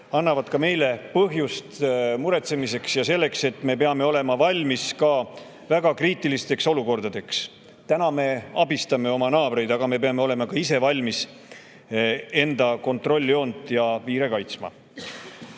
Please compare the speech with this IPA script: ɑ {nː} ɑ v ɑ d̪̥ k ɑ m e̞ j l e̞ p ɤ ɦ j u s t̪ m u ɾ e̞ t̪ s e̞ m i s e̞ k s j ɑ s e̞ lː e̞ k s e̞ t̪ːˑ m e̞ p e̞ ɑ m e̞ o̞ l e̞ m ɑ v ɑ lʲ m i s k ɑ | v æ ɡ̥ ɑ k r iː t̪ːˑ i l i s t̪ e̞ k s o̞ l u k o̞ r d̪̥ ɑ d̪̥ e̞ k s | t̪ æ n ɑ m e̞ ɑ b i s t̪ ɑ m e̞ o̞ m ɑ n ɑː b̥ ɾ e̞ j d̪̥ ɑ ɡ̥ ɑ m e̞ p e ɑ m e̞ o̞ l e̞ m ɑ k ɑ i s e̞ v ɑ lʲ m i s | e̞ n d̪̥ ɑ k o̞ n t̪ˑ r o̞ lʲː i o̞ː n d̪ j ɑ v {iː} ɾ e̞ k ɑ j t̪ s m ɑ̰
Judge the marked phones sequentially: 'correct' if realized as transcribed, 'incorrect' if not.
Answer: correct, correct

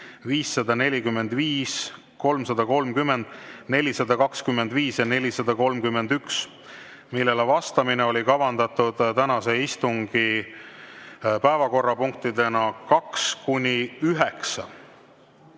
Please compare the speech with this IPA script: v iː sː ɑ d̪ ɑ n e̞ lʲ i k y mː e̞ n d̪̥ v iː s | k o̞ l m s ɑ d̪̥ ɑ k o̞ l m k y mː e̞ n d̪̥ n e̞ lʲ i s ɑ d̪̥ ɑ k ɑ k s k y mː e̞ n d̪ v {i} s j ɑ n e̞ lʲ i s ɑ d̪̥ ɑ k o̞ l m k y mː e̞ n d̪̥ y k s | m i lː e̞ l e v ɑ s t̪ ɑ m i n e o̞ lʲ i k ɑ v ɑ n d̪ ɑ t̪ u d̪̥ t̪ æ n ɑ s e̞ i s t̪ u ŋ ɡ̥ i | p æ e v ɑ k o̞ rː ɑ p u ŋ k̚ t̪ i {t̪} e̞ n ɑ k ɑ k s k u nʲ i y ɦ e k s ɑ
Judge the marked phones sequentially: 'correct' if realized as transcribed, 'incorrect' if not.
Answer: incorrect, incorrect

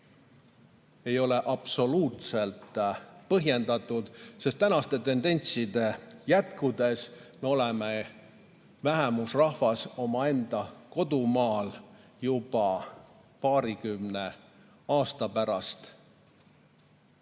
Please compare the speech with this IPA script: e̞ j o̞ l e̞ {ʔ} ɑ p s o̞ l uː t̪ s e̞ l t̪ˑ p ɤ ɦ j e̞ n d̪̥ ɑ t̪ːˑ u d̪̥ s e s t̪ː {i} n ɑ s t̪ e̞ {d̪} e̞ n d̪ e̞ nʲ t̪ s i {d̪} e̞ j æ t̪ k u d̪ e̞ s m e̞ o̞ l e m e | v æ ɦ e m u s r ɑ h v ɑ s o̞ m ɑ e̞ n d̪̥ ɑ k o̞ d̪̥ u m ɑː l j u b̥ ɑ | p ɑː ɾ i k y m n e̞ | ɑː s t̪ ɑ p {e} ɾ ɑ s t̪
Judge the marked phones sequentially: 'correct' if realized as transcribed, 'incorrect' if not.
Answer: correct, incorrect, incorrect, correct, incorrect

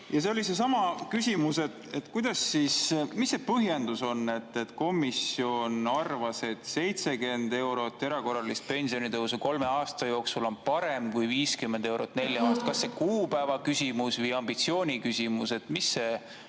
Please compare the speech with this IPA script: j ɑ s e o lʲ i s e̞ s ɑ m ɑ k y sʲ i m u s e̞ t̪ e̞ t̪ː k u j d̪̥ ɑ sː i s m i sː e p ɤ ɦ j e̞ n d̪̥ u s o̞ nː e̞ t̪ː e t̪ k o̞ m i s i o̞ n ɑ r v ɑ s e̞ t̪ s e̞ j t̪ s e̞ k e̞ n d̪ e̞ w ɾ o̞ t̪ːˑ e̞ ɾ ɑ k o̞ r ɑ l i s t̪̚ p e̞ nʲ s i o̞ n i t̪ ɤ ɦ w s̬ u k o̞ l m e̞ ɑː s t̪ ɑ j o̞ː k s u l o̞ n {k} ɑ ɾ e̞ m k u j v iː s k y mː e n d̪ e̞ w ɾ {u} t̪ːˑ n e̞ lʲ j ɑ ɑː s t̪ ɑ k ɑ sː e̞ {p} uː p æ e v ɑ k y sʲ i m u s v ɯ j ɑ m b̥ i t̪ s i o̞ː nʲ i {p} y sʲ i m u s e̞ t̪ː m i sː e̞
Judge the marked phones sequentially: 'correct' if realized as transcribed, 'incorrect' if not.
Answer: incorrect, incorrect, incorrect, incorrect

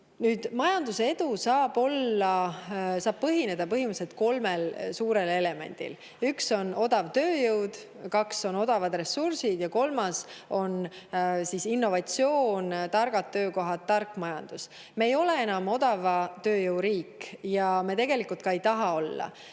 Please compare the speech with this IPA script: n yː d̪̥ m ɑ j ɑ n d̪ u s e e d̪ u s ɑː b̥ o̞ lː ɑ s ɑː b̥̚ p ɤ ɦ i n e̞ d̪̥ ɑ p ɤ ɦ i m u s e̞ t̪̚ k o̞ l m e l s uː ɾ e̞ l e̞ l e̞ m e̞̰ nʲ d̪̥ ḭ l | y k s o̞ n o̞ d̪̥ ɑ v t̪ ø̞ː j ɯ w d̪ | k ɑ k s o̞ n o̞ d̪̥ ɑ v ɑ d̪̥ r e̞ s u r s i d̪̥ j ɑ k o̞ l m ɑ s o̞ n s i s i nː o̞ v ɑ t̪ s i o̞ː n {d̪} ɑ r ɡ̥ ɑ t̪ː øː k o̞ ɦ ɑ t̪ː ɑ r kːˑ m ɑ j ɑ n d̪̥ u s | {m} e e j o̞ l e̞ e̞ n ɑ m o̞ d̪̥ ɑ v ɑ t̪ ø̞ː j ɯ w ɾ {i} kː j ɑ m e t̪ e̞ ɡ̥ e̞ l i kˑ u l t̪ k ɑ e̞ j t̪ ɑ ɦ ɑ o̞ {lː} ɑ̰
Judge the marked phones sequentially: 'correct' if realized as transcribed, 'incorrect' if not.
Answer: incorrect, correct, incorrect, correct

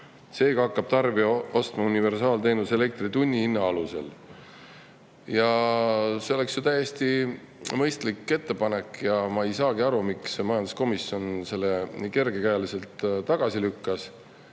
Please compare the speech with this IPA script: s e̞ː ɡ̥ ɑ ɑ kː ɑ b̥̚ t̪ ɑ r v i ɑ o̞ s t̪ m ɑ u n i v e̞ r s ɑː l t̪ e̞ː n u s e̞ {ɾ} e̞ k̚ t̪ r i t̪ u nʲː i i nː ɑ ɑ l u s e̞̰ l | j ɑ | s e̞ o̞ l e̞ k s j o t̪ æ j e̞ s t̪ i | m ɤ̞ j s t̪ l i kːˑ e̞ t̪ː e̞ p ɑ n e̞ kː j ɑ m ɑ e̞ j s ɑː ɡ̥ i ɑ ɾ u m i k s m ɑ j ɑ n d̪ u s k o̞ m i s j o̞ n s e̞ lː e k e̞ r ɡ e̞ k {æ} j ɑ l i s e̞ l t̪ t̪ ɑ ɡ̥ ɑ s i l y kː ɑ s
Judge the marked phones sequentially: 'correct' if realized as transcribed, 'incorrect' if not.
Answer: incorrect, correct

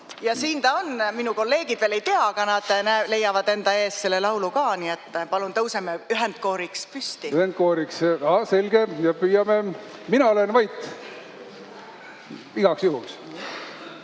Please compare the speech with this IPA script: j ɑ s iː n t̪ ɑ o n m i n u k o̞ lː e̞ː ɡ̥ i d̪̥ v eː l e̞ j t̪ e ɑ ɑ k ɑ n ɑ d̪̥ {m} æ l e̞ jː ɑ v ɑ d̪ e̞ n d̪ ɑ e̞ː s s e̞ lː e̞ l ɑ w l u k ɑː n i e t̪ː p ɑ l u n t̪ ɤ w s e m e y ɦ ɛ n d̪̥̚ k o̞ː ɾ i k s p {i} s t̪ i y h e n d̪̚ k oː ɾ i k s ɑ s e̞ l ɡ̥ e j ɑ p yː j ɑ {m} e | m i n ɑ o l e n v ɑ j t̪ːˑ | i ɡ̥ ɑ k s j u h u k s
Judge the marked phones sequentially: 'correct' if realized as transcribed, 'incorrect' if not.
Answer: incorrect, incorrect, correct

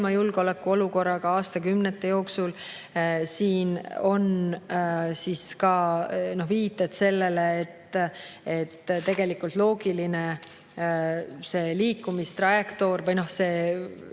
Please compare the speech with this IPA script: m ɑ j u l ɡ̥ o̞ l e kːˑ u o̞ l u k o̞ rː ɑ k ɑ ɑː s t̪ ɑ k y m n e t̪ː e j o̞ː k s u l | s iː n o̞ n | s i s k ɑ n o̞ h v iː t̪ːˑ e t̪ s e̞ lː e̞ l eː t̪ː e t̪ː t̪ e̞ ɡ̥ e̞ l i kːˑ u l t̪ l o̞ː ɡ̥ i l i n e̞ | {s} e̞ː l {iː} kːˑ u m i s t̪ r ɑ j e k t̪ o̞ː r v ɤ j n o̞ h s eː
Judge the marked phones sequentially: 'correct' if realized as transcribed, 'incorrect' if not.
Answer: correct, correct

